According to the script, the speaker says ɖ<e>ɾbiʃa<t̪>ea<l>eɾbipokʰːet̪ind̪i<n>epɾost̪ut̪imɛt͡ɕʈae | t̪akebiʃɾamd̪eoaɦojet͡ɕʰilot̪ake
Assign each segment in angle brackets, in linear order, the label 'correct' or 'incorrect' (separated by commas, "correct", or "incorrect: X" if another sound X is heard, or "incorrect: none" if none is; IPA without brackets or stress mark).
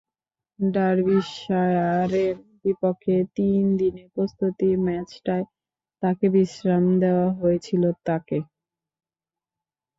incorrect: a, incorrect: none, incorrect: ɾ, correct